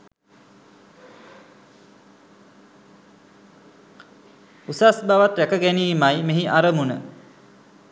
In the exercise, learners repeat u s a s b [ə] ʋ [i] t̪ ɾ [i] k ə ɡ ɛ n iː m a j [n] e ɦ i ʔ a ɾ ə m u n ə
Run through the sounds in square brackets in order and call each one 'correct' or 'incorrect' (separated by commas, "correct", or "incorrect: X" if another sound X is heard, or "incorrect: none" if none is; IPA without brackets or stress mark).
incorrect: a, incorrect: a, incorrect: æ, incorrect: m